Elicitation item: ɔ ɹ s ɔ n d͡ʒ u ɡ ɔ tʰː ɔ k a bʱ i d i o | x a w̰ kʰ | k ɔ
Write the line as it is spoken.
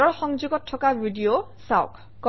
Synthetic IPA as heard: ɔ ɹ x ɔ ŋ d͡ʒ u ɡ ɔ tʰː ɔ k a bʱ i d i o | s a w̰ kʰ | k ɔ